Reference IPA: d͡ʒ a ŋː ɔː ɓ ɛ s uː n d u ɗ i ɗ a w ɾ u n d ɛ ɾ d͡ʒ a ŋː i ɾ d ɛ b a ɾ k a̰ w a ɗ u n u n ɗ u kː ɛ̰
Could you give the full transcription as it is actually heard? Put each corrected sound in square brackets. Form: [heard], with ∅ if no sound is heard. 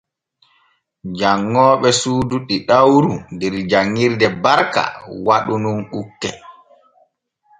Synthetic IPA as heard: d͡ʒ a ŋː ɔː ɓ ɛ s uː [∅] d u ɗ i ɗ a w ɾ u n d ɛ ɾ d͡ʒ a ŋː i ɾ d ɛ b a ɾ k a̰ w a ɗ u n u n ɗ u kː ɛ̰